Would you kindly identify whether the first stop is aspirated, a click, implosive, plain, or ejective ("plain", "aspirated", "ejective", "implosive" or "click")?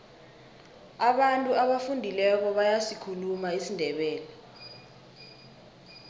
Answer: implosive